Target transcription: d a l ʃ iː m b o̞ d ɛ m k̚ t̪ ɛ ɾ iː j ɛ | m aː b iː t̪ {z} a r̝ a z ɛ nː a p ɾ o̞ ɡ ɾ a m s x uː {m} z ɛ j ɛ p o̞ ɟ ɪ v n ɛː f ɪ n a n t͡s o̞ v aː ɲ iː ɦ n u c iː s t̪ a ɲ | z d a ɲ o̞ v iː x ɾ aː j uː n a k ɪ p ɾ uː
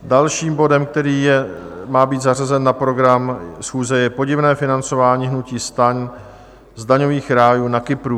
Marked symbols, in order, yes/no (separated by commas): yes, no